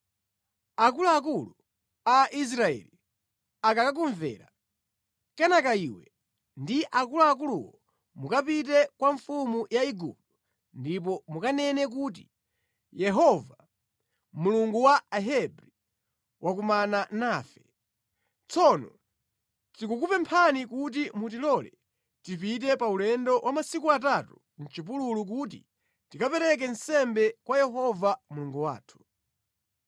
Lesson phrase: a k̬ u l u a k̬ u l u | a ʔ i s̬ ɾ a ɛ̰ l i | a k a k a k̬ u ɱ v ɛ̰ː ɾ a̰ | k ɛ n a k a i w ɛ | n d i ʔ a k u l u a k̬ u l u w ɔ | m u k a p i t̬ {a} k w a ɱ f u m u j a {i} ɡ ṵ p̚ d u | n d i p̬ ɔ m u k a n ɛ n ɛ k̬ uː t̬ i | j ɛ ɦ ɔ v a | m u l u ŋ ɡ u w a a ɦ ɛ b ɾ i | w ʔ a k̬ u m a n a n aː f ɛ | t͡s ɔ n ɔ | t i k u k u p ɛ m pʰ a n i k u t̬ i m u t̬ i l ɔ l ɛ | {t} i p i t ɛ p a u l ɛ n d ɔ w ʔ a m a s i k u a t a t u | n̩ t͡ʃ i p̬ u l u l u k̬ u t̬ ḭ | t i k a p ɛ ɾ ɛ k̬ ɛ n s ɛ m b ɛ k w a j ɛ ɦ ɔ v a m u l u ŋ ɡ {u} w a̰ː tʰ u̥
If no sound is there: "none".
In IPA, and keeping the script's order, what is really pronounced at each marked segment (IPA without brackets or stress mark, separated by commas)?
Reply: ɛ, i, t, u